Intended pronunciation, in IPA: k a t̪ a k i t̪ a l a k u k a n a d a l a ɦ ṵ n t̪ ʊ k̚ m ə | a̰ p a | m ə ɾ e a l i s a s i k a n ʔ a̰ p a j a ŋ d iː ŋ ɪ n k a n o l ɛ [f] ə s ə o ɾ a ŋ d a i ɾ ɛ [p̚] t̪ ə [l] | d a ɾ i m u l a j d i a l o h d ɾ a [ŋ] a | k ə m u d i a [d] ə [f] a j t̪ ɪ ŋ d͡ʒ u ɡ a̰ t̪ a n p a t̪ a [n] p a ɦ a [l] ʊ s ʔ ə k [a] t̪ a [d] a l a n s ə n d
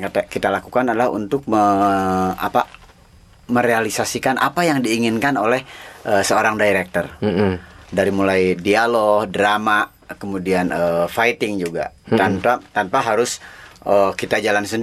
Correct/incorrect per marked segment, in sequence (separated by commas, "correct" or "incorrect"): incorrect, incorrect, incorrect, incorrect, incorrect, correct, correct, incorrect, incorrect, incorrect